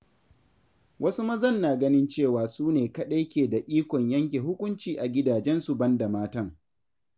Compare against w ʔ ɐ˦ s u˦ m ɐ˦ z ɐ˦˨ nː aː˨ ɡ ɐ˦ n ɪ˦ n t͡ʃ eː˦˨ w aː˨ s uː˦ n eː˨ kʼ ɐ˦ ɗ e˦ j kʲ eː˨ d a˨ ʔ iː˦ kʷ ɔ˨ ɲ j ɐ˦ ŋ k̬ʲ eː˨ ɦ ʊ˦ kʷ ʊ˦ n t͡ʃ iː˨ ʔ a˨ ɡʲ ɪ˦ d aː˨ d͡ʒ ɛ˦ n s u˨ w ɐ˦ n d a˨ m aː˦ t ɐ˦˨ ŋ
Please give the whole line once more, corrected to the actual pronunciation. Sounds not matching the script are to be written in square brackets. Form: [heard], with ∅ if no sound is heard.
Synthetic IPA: w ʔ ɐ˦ s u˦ m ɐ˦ z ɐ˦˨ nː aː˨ ɡ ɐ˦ n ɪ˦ n t͡ʃ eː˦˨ w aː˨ s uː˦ n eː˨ [k] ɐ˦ ɗ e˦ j kʲ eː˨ d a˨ ʔ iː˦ kʷ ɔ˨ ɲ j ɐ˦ ŋ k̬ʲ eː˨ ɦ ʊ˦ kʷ ʊ˦ n t͡ʃ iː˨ ʔ a˨ ɡʲ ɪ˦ d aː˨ d͡ʒ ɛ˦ n s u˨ [b] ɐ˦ n d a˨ m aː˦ t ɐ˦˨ ŋ